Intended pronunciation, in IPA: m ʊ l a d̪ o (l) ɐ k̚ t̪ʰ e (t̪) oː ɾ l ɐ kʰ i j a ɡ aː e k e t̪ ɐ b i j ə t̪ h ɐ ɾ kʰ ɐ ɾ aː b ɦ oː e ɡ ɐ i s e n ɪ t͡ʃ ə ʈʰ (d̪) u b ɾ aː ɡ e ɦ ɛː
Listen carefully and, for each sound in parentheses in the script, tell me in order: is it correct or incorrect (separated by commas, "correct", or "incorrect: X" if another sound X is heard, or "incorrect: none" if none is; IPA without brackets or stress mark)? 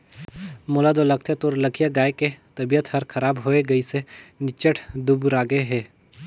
correct, correct, correct